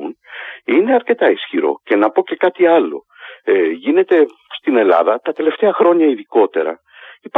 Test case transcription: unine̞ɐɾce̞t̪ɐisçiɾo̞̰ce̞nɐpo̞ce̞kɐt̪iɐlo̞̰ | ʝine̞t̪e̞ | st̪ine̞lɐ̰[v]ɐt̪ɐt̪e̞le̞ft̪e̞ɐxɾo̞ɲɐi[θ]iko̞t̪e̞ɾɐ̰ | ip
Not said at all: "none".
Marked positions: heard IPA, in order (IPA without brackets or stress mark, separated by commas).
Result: ð, ð